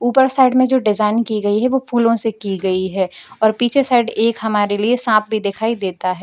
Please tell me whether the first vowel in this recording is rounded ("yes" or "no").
yes